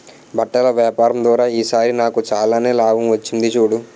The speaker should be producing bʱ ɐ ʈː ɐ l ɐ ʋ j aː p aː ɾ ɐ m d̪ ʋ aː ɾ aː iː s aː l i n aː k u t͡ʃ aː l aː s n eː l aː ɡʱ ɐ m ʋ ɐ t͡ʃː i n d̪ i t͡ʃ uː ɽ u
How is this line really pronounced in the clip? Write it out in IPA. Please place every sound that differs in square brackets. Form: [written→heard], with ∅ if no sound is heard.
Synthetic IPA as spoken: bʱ ɐ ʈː ɐ l ɐ ʋ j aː p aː ɾ ɐ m d̪ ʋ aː ɾ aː iː s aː [l→ɾ] i n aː k u t͡ʃ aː l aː [s→∅] n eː l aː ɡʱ ɐ m ʋ ɐ t͡ʃː i n d̪ i t͡ʃ uː ɽ u